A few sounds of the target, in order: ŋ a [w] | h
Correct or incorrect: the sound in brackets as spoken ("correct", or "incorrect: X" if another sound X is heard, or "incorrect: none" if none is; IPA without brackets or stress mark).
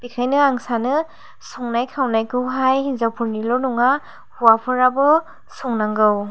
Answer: incorrect: none